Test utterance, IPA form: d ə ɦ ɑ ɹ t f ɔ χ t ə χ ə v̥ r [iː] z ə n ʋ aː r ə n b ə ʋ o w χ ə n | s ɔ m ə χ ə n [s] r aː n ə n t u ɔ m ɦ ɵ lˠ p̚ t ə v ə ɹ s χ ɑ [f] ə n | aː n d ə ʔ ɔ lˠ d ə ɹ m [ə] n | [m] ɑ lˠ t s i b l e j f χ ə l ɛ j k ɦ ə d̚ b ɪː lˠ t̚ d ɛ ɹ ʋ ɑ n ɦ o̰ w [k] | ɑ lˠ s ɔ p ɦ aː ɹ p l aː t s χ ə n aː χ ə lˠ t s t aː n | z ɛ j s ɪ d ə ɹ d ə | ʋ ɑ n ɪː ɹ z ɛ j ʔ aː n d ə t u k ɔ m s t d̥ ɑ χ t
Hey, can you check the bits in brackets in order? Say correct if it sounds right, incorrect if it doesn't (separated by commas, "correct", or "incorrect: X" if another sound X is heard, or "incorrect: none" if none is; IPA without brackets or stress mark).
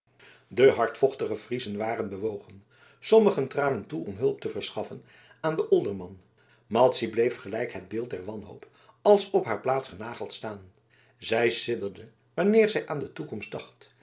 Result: incorrect: i, incorrect: t, correct, incorrect: ɑ, correct, incorrect: p